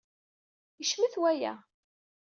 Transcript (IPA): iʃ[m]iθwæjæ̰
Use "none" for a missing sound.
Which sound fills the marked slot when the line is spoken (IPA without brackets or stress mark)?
m